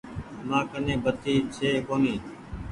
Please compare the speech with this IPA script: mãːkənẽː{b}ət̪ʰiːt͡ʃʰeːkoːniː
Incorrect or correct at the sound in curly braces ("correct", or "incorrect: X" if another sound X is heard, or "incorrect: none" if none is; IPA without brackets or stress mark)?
correct